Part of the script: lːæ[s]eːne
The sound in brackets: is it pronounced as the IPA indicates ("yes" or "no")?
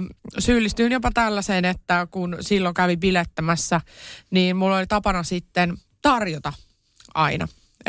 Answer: yes